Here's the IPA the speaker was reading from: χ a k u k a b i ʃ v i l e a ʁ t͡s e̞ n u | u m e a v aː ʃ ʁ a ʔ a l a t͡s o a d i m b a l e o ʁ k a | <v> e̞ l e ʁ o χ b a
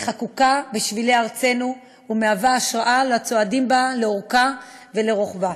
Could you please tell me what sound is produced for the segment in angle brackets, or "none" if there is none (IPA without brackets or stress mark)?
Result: v